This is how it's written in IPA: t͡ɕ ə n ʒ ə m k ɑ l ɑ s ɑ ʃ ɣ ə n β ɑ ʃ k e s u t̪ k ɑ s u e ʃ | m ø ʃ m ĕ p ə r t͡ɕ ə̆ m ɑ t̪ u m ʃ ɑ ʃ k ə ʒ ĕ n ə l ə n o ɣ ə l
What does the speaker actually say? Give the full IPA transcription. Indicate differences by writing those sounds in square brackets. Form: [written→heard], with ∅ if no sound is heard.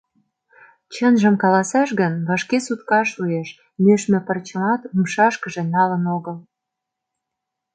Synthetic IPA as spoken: t͡ɕ ə n ʒ ə m k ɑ l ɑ s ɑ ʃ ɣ ə n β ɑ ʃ k e s u t̪ k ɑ [s→ʃ] u e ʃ | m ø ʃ m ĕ p ə r t͡ɕ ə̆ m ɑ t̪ u m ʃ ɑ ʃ k ə ʒ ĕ n [ə→ɑ] l ə n o ɣ ə l